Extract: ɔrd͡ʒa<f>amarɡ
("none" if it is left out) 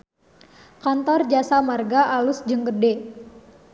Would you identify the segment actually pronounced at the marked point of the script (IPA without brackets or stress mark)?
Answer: s